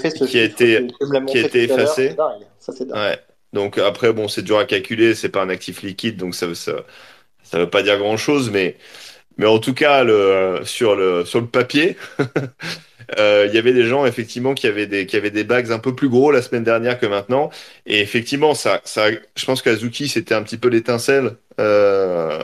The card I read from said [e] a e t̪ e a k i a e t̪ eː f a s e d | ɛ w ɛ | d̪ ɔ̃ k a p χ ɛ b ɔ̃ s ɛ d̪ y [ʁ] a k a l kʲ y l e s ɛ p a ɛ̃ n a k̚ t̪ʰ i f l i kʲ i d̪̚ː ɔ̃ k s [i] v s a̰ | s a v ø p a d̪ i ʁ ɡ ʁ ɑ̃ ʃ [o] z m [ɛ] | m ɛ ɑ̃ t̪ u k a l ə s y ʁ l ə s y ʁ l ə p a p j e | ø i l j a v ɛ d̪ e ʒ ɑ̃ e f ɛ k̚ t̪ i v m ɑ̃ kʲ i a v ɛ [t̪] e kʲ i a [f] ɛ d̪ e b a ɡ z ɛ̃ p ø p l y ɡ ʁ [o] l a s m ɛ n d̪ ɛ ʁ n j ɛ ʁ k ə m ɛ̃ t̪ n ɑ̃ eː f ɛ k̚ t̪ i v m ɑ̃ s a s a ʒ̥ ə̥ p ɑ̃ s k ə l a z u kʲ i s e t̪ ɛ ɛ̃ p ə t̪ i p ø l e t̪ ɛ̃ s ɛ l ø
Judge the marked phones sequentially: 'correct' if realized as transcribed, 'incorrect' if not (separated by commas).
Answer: incorrect, correct, incorrect, correct, correct, incorrect, incorrect, correct